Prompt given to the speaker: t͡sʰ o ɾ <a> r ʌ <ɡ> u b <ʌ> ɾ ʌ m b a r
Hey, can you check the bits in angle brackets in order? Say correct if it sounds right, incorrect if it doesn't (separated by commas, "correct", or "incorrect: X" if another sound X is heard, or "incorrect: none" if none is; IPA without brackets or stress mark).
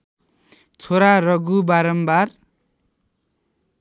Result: correct, correct, incorrect: a